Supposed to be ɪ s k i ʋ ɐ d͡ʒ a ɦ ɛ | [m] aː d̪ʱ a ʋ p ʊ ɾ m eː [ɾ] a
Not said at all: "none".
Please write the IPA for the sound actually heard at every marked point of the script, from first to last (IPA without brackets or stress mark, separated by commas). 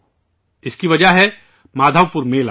m, l